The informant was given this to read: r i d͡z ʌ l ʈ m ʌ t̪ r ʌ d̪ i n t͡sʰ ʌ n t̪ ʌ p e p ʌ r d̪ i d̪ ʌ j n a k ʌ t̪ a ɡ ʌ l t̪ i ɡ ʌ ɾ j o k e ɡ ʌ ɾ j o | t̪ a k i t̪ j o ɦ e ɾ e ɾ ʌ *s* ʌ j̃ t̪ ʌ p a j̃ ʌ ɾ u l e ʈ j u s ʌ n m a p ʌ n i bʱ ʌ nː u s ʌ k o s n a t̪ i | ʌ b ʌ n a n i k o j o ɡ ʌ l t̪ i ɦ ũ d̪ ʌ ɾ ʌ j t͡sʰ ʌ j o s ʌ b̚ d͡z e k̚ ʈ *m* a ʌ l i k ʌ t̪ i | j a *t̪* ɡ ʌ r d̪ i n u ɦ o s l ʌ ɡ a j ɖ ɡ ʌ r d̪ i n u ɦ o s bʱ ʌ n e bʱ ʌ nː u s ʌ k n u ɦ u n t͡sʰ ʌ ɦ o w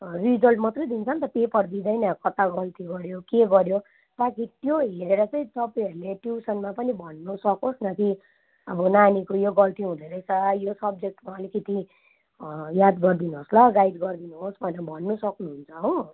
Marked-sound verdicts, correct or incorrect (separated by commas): incorrect, correct, incorrect